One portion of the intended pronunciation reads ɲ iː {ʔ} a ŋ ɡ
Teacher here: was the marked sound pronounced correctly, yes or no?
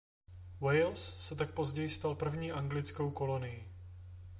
yes